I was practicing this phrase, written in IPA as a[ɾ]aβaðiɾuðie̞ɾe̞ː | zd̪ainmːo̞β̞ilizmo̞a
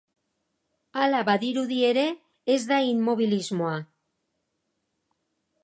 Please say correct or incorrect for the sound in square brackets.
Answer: incorrect